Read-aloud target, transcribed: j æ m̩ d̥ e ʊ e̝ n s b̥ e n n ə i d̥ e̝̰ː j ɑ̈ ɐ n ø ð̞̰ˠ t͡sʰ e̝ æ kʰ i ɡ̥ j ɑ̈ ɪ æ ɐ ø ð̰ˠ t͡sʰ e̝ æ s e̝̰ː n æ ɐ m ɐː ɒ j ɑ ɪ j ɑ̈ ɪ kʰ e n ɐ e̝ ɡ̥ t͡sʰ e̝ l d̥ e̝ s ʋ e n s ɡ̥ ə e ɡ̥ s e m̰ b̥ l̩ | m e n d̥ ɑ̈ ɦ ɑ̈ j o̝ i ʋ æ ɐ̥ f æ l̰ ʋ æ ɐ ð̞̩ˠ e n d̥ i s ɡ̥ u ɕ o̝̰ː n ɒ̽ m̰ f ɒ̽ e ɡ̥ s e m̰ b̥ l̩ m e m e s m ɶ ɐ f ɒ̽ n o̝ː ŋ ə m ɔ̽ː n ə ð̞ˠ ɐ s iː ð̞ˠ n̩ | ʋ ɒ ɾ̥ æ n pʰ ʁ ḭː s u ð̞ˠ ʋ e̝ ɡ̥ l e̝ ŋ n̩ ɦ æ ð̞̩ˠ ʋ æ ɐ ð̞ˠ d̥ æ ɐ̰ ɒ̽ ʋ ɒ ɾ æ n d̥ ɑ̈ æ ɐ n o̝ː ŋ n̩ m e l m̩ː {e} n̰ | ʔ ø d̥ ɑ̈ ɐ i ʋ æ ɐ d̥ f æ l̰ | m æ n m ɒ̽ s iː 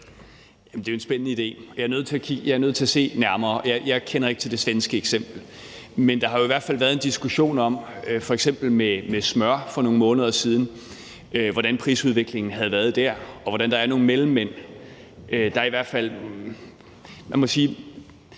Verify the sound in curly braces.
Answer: correct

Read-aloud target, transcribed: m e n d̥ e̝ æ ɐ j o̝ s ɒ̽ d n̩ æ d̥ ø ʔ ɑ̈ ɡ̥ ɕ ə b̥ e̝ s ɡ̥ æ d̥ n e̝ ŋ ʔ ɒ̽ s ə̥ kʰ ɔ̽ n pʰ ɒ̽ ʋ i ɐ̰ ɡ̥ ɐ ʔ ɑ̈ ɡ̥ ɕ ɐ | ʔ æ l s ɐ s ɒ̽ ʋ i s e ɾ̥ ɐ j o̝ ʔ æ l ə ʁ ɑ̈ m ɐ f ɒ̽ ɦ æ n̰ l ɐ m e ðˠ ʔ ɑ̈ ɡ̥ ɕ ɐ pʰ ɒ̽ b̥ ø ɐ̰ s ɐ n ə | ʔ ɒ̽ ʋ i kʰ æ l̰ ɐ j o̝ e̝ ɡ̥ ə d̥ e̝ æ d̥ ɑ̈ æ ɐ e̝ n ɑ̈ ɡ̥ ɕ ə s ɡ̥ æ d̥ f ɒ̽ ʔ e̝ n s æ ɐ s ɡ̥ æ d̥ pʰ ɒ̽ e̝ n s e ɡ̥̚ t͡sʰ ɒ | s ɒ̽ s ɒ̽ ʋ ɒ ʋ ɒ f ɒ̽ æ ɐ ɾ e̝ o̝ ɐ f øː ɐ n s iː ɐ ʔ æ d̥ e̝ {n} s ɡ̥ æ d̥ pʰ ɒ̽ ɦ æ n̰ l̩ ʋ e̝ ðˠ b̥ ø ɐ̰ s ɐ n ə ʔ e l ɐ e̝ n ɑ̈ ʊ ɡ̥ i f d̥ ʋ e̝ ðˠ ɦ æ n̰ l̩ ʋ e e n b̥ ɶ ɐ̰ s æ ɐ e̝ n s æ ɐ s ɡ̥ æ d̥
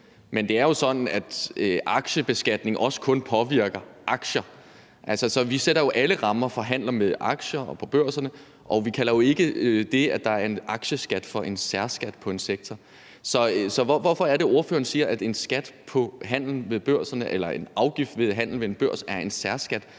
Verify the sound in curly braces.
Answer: correct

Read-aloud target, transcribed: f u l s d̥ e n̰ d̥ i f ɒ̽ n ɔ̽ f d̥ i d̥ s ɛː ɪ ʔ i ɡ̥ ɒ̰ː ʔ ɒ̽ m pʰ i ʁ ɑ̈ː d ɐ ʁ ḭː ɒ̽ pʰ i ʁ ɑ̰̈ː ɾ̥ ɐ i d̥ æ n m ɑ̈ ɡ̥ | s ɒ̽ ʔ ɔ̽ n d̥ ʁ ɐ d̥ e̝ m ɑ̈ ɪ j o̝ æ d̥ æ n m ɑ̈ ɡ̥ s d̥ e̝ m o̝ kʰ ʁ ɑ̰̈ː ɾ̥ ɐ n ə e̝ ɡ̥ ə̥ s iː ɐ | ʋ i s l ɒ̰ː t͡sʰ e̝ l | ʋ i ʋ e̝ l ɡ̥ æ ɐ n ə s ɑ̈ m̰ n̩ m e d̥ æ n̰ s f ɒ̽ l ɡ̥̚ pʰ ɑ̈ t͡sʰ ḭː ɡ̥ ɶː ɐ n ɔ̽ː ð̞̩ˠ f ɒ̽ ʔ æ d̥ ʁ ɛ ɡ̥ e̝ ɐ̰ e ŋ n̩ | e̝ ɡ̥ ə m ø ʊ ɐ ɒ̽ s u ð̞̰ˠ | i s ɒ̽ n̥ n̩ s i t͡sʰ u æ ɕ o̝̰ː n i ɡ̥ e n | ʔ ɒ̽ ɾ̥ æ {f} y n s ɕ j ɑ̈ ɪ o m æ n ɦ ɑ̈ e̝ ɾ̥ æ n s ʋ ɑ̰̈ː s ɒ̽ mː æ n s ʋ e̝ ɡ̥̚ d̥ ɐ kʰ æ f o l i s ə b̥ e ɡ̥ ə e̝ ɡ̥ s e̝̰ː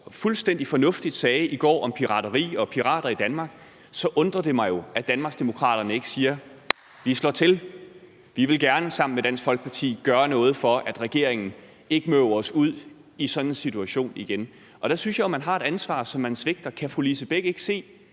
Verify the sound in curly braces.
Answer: incorrect: s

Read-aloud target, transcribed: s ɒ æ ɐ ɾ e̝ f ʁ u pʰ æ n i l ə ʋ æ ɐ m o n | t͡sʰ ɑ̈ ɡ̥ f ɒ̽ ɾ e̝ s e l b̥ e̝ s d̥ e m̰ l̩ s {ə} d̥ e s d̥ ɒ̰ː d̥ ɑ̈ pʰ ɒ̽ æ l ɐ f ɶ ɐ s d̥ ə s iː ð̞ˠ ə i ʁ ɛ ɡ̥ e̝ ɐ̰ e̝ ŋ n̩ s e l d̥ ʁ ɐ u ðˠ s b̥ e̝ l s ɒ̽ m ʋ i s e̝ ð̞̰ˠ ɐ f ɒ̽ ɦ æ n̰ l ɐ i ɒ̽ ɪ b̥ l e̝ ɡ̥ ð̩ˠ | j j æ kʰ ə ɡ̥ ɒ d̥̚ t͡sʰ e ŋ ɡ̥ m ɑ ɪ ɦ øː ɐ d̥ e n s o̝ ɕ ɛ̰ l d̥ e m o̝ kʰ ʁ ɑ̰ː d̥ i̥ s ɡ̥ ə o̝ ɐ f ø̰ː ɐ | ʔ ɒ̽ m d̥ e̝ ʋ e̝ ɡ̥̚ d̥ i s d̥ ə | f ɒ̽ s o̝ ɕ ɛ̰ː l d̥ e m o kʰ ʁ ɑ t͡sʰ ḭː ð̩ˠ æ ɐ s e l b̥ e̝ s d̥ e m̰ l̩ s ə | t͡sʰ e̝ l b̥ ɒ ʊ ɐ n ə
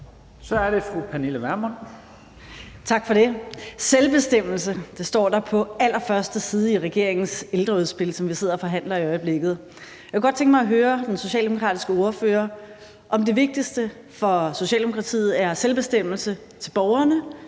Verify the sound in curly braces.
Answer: correct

